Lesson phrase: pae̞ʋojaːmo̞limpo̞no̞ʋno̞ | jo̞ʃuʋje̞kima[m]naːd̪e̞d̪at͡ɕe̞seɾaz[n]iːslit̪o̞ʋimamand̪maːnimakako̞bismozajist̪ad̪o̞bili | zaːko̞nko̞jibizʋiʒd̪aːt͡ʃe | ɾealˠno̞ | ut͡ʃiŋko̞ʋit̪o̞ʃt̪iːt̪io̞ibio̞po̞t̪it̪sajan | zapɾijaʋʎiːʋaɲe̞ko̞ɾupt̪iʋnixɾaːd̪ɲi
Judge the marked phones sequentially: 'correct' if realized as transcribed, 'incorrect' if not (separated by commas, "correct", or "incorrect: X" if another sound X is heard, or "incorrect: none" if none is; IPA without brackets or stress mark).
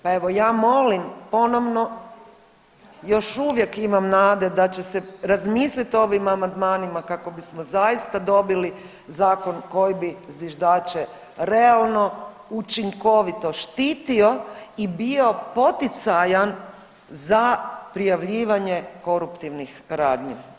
correct, incorrect: m